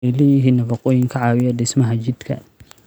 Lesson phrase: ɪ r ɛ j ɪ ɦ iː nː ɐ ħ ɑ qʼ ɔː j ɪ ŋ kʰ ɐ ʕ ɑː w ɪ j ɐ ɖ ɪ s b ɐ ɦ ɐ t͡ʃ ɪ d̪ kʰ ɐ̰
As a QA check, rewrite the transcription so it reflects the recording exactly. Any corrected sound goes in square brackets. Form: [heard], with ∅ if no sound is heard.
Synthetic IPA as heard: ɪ [l] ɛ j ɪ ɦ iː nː ɐ [f] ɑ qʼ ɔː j ɪ ŋ kʰ ɐ ʕ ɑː w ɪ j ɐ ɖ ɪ s [m] ɐ ɦ ɐ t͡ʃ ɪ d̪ kʰ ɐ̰